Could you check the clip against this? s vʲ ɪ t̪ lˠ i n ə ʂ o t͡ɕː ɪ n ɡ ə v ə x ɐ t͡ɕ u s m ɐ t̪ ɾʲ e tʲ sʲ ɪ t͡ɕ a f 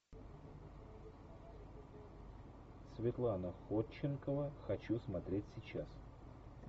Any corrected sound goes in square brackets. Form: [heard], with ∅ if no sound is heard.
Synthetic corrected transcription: s vʲ ɪ t̪ lˠ [a] n ə [x] o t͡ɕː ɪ n [k] ə v ə x ɐ t͡ɕ u s m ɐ t̪ ɾʲ e tʲ sʲ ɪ t͡ɕ a [s]